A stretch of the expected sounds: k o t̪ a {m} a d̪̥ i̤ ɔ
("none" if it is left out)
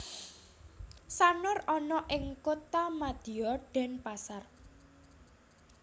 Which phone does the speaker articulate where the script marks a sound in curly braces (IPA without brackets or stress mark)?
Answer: m